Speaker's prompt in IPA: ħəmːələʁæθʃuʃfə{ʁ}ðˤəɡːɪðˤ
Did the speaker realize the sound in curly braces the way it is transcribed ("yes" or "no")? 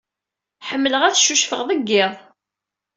yes